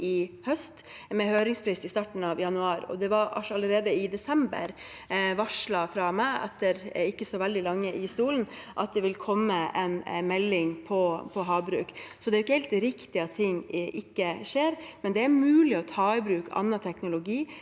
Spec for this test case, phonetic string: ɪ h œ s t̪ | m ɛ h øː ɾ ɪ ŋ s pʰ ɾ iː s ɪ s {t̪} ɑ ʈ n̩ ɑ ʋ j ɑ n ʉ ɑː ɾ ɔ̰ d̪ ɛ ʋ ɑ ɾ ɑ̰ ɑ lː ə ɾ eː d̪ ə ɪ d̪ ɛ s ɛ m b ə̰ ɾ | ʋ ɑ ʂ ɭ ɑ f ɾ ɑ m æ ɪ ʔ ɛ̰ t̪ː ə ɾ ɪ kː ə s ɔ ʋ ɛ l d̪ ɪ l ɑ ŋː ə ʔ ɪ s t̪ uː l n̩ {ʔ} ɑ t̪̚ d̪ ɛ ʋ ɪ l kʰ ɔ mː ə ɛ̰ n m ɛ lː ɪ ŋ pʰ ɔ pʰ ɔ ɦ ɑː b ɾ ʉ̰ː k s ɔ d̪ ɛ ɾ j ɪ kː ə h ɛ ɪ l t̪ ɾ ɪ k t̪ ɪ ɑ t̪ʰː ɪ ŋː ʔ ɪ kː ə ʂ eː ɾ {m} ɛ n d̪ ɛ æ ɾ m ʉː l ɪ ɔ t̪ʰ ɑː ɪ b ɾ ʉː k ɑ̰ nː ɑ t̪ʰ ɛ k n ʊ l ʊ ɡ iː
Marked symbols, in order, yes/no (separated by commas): yes, yes, yes